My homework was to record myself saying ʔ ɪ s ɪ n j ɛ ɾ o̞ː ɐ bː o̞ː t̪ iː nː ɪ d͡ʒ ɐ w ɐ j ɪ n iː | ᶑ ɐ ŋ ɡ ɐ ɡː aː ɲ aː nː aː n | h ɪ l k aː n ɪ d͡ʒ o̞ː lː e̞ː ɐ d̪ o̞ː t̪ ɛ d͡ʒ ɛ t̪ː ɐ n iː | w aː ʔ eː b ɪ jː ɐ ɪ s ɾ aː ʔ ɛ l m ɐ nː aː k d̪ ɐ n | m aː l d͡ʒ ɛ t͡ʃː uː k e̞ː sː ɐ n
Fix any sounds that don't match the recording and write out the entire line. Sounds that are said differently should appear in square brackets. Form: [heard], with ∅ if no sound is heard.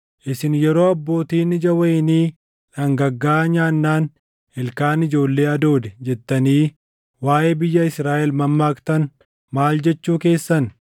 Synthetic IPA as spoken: ʔ ɪ s ɪ n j ɛ ɾ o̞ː ɐ bː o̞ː t̪ iː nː ɪ d͡ʒ ɐ w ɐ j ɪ n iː | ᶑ ɐ ŋ ɡ ɐ ɡː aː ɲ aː nː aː n | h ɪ l k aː n ɪ d͡ʒ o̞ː lː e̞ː ɐ d̪ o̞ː [d̪] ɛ d͡ʒ ɛ t̪ː ɐ n iː | w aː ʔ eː b ɪ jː ɐ ɪ s ɾ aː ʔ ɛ l m ɐ [mː] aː k [t̪] ɐ n | m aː l d͡ʒ ɛ t͡ʃː uː k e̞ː sː ɐ n